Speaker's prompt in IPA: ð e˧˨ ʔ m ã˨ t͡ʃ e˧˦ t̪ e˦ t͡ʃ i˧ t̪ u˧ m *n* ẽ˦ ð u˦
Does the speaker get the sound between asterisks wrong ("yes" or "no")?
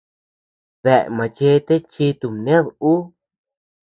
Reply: no